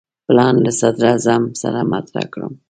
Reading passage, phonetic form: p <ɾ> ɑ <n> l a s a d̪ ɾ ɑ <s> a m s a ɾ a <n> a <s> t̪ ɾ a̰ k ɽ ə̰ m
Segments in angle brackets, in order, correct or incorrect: incorrect, correct, incorrect, incorrect, incorrect

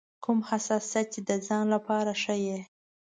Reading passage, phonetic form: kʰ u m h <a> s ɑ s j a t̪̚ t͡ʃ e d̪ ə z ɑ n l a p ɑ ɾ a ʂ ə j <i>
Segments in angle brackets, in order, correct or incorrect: correct, incorrect

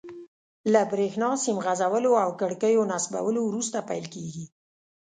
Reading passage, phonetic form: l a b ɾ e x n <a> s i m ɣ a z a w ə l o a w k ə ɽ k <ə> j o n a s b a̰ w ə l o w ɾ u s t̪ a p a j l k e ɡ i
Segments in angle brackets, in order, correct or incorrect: incorrect, correct

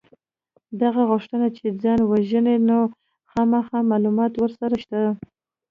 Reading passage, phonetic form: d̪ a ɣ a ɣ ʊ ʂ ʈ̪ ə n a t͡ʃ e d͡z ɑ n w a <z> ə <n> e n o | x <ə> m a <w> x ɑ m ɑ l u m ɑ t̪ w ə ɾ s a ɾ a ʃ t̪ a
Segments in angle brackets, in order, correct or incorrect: incorrect, correct, incorrect, incorrect

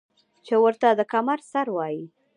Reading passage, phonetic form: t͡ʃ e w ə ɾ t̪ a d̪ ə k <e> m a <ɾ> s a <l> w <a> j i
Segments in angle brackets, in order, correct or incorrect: incorrect, correct, incorrect, incorrect

